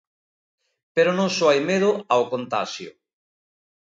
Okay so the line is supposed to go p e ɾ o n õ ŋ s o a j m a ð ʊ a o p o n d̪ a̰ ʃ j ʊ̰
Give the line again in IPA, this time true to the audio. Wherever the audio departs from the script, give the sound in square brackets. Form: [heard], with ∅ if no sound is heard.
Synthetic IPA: p e ɾ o n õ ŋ s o a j m [e] ð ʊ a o [k] o n [t̪] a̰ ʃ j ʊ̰